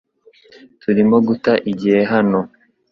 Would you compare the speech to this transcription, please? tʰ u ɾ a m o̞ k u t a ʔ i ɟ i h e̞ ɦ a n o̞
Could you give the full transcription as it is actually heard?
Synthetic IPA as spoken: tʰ u ɾ i m o̞ ɡ u t a ʔ i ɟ i h e̞ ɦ a n o̞